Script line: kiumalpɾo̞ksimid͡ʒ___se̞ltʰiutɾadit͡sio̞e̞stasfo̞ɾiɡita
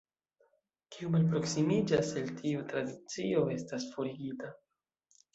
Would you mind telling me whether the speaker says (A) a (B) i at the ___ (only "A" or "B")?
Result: A